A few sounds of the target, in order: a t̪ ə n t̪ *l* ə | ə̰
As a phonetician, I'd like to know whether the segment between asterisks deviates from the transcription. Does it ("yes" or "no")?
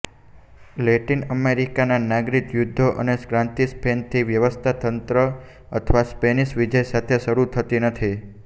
yes